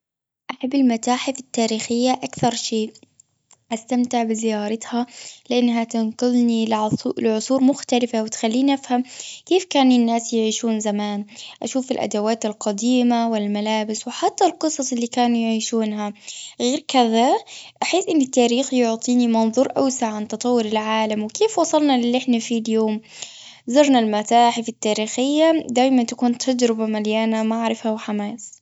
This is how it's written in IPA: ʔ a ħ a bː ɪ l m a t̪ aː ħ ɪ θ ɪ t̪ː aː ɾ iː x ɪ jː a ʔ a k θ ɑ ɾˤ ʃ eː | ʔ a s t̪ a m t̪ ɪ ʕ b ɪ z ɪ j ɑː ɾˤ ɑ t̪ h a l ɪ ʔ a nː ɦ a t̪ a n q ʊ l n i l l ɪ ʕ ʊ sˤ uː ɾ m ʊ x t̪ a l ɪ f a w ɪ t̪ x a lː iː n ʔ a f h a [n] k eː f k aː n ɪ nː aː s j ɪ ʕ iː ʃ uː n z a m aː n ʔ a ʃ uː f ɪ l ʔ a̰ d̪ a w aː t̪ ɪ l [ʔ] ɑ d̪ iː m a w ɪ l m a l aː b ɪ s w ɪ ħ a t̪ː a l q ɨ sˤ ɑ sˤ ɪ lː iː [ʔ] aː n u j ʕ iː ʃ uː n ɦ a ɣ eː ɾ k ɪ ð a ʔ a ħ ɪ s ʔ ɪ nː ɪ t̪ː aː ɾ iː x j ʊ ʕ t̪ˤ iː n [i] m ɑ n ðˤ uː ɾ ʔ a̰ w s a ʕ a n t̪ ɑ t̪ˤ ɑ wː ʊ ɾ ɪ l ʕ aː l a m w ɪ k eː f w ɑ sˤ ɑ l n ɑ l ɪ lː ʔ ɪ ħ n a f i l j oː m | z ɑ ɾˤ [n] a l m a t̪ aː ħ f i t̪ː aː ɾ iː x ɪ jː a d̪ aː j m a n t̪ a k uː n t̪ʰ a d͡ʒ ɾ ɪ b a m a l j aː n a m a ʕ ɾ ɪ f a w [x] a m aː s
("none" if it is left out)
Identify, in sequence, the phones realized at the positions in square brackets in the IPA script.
m, q, k, i, n, ħ

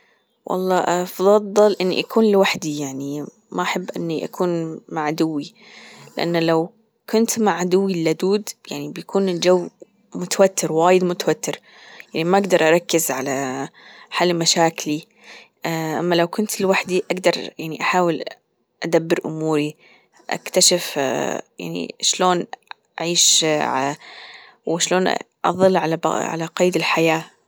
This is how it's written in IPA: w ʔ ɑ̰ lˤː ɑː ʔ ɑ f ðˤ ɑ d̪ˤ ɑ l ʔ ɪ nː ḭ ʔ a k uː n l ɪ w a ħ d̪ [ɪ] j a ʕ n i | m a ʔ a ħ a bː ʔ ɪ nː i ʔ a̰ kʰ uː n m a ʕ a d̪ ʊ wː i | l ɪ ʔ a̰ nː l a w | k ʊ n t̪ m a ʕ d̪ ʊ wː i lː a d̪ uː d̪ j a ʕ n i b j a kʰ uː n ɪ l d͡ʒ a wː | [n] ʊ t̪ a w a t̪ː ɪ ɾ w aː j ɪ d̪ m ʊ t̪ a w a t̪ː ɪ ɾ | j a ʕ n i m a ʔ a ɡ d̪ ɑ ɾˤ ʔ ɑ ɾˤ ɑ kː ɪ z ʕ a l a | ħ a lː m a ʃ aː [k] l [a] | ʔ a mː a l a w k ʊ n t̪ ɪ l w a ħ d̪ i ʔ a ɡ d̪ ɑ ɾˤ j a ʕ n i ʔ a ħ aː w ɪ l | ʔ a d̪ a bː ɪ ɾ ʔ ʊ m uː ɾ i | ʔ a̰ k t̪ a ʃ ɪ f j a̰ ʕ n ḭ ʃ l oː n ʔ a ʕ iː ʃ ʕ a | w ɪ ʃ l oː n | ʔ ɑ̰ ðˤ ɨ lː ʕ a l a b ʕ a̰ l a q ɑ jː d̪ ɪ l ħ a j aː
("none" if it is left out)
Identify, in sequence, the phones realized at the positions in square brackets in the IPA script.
i, m, k, i

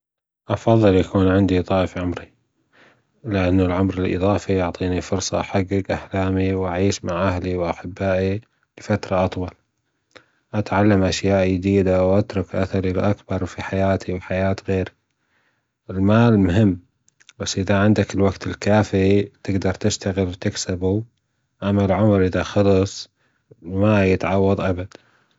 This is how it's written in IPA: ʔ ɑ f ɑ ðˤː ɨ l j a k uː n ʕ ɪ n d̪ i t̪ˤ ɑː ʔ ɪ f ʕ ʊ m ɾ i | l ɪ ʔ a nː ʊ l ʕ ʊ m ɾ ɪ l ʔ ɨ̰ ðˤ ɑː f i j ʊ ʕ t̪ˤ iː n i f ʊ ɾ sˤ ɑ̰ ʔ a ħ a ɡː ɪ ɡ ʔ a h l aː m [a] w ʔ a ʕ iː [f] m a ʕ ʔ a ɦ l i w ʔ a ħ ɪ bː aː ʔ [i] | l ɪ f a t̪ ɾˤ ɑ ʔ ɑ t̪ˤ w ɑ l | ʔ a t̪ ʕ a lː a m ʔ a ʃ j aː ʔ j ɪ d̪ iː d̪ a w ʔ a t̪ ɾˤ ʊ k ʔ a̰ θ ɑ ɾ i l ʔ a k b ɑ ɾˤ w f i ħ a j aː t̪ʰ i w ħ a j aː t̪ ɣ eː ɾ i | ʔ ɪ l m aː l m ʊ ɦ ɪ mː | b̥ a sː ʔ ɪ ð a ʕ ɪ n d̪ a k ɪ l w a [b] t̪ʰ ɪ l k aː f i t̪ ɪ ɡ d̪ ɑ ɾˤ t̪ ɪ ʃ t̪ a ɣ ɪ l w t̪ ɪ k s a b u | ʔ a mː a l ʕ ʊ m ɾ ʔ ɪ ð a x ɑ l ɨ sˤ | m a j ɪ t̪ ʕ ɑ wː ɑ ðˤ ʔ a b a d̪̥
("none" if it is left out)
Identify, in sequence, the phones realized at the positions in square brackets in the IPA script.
i, ʃ, i, ɡ

